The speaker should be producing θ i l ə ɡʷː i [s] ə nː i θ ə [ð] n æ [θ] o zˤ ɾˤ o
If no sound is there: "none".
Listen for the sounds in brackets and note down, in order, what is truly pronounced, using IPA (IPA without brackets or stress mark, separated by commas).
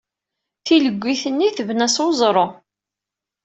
θ, v, s